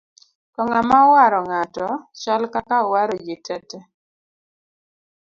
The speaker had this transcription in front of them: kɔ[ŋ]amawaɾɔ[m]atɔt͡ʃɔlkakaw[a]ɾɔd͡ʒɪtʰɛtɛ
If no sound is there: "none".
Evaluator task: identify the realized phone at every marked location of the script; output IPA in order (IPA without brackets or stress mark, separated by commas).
ŋ, ŋ, a